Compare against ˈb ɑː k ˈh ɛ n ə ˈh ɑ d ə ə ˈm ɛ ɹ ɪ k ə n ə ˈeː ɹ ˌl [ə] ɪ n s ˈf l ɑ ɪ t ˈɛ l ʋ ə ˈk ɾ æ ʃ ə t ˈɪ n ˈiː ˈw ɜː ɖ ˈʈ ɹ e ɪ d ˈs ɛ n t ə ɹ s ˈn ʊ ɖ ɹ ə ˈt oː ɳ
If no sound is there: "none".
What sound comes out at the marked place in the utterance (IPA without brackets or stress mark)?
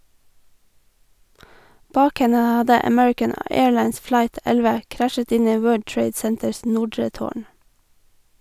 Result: ɑ